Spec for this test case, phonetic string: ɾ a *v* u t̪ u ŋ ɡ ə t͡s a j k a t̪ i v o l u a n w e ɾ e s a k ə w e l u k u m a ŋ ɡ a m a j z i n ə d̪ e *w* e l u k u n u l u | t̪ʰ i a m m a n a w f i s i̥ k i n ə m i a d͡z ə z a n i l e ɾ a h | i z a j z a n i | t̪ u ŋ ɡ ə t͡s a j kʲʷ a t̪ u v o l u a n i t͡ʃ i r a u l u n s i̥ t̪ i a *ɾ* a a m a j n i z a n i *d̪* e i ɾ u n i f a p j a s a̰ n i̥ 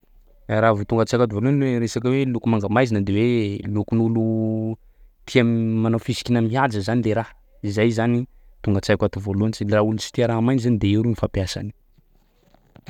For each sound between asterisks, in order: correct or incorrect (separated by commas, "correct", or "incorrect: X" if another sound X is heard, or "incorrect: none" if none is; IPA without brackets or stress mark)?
correct, correct, correct, correct